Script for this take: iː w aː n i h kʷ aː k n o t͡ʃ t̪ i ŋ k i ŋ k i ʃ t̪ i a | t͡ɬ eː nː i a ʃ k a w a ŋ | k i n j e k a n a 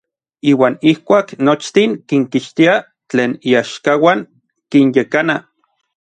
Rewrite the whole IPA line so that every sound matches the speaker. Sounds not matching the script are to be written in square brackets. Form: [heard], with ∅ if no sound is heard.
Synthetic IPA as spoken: iː w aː n i h kʷ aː k n o t͡ʃ t̪ i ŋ k i ŋ k i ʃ t̪ i a | t͡ɬ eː [n] i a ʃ k a w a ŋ | k i n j e k a n a